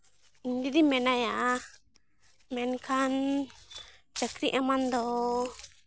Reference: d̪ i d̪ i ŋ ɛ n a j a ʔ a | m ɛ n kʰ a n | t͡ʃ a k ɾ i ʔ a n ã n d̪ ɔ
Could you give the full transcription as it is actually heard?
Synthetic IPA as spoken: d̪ i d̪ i m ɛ n a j a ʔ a | m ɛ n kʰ a n | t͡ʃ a k ɾ i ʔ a m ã n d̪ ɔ